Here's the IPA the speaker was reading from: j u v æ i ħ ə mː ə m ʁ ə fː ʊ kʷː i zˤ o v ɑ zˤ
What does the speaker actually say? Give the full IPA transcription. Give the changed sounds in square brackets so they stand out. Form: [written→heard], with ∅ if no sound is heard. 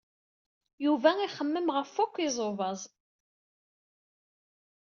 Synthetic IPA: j u v æ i [ħ→χ] ə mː ə m ʁ ə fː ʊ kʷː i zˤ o v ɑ zˤ